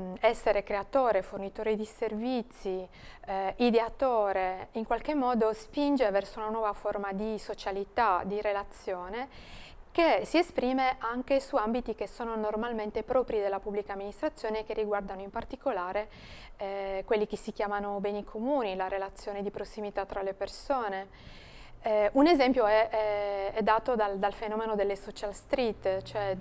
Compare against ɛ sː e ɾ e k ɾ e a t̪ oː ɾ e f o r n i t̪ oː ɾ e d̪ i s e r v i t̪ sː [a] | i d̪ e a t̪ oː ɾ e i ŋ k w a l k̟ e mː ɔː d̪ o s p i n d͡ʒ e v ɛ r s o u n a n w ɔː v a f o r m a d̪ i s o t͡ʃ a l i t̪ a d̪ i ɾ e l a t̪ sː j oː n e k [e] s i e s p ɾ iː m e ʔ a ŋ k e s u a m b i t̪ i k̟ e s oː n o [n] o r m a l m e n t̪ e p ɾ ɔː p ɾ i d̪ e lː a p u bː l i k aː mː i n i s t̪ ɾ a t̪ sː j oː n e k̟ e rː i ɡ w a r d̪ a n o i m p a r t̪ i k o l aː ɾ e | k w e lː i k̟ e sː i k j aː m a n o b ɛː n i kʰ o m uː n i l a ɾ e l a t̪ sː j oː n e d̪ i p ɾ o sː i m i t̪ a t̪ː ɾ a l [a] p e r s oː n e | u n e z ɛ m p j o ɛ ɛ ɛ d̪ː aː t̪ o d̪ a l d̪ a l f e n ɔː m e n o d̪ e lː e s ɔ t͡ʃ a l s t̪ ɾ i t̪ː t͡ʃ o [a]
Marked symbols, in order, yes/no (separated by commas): no, yes, yes, no, no